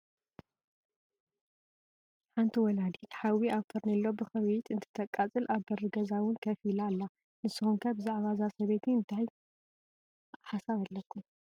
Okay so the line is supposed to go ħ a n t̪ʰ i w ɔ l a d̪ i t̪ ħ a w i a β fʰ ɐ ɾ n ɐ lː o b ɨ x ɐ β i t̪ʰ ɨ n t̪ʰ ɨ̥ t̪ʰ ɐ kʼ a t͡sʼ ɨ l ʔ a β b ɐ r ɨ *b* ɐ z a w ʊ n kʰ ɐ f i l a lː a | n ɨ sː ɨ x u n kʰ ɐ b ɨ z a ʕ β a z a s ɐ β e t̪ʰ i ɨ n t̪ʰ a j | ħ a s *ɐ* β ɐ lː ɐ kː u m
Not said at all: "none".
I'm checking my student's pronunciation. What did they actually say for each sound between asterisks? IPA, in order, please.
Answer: ɡ, a

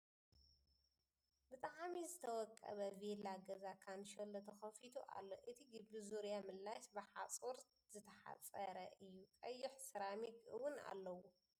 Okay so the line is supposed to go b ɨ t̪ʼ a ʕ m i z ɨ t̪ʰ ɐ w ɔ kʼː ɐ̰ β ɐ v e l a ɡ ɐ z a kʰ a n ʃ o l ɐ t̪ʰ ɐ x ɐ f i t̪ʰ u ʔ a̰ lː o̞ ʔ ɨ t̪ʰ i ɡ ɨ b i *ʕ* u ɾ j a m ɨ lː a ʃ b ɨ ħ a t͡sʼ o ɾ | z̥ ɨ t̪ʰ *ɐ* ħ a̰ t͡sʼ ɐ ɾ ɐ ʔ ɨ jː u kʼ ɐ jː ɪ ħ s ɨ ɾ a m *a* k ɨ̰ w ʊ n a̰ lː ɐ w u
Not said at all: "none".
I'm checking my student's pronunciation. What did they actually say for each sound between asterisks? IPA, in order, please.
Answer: z, ɐ, i

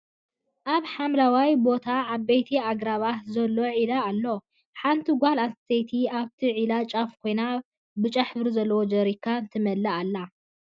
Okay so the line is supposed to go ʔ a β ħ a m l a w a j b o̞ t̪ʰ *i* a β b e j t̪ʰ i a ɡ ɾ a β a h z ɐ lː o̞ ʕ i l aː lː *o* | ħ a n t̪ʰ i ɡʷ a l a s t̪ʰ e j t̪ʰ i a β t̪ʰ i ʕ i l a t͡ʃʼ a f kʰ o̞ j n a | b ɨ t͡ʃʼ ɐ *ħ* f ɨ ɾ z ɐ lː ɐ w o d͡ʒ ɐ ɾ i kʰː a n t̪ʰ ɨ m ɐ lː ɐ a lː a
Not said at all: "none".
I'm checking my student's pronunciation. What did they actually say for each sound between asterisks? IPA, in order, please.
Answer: a, o, ħ

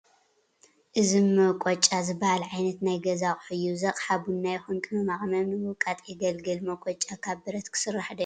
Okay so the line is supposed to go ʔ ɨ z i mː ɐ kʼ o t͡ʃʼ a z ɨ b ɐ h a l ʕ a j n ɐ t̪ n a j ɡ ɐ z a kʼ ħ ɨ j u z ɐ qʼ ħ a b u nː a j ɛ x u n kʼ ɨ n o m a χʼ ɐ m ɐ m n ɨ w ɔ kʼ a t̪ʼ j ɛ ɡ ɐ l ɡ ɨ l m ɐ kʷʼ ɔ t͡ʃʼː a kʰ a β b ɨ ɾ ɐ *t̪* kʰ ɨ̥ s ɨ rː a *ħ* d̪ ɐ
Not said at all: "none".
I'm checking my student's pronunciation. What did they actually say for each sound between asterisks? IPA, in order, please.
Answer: t̪, ħ

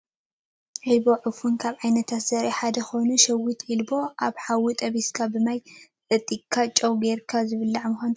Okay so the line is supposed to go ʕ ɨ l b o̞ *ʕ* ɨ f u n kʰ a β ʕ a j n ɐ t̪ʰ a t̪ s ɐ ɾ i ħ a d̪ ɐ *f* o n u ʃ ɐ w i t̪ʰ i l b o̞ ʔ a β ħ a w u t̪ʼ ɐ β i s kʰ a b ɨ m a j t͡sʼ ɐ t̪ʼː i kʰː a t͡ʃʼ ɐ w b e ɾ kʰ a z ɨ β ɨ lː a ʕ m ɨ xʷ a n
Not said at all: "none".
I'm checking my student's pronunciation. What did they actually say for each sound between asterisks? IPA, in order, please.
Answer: ʕ, x

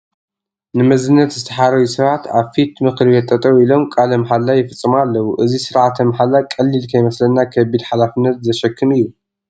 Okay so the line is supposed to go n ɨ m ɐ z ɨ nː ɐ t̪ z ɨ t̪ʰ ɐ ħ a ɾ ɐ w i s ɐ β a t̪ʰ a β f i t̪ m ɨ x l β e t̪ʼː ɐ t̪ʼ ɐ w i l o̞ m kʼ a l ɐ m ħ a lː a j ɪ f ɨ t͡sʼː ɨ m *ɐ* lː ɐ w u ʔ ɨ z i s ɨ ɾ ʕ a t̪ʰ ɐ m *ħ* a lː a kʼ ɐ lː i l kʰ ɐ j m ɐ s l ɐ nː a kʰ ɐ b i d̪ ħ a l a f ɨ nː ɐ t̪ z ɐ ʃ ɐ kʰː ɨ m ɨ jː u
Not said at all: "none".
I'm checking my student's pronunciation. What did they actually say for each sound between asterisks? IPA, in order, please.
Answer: a, ħ

